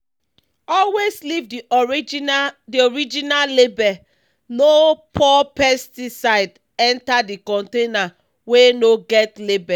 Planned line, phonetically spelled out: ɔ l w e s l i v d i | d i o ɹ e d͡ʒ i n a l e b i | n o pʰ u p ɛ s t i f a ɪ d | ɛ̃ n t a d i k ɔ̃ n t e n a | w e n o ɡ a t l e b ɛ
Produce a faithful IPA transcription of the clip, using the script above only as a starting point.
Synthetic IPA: ɔ l w e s l i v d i | d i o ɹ i d͡ʒ i n a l e b ɛ | n o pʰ ɔ p ɛ s t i s a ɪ d | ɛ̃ n t a d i k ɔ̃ n t e n a | w e n o ɡ ɛ t l e b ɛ